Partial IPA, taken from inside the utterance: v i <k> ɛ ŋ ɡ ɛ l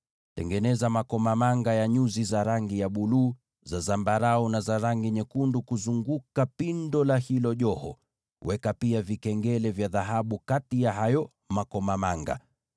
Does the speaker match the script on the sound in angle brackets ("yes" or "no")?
yes